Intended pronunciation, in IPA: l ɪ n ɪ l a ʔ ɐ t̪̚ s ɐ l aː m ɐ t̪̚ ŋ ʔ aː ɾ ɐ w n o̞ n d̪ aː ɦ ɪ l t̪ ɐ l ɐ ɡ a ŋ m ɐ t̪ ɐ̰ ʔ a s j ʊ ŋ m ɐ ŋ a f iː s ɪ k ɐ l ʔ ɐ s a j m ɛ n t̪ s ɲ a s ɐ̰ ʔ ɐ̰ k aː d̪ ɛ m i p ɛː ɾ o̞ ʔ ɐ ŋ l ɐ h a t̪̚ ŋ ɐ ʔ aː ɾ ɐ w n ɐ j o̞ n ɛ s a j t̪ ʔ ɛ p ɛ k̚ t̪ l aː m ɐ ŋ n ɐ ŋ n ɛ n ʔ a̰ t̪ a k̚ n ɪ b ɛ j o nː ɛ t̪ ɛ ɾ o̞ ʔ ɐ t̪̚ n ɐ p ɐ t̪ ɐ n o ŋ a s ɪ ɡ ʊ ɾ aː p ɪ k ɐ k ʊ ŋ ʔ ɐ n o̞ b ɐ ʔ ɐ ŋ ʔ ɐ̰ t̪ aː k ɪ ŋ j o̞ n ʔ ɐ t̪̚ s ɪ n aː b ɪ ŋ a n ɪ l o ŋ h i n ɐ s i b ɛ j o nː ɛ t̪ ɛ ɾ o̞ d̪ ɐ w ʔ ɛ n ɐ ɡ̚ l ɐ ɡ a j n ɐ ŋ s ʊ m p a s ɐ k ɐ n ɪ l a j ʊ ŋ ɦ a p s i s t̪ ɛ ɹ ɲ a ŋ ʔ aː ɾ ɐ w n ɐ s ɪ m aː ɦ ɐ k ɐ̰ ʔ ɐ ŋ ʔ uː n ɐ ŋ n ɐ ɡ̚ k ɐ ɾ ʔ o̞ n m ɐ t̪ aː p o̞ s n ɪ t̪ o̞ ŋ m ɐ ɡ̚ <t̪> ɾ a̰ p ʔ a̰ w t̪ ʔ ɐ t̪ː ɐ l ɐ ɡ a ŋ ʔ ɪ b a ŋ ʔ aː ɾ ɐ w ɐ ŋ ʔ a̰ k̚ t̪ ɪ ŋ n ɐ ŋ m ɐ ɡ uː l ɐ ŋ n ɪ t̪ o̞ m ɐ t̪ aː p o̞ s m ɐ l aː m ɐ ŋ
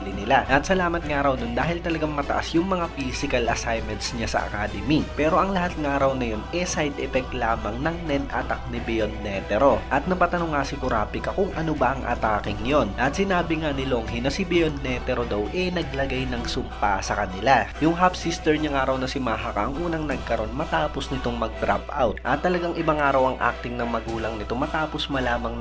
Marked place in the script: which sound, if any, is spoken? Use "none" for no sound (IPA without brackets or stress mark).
d̪